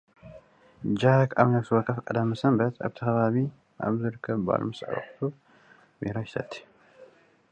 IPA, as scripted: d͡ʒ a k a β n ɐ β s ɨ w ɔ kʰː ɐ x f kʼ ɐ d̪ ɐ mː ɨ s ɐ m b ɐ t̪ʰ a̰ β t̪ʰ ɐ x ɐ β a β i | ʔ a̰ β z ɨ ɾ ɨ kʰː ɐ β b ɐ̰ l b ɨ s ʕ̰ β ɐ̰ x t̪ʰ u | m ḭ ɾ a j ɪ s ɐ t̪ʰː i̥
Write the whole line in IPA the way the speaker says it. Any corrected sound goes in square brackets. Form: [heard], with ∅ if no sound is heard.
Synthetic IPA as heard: d͡ʒ a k a β n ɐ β s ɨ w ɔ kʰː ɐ [∅] f kʼ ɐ d̪ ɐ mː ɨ s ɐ m b ɐ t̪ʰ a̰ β t̪ʰ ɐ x ɐ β a β i | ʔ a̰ β z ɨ ɾ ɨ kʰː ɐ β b [a̰] l [m] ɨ s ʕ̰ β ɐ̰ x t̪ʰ u | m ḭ ɾ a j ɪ s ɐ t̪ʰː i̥